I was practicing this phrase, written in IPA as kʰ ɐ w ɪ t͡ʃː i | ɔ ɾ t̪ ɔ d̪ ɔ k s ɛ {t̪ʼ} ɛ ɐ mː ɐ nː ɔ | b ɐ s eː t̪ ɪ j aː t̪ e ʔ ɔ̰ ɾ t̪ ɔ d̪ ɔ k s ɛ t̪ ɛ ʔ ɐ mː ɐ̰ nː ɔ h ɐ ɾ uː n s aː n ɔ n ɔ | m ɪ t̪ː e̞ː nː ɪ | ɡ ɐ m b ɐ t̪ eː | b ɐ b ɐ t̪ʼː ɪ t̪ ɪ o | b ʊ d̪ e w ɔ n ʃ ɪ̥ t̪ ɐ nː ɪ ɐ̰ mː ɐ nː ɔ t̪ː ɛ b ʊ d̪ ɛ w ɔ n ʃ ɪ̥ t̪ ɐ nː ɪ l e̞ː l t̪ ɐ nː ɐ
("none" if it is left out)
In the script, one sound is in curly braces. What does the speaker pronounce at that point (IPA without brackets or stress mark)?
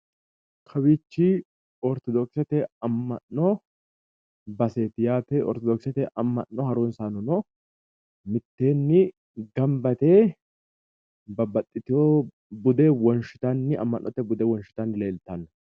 t̪